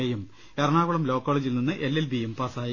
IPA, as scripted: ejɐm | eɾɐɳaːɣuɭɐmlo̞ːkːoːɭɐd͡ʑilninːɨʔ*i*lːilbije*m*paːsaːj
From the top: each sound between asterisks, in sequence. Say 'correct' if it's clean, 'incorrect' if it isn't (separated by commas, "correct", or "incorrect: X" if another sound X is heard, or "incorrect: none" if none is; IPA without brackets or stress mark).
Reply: incorrect: e, correct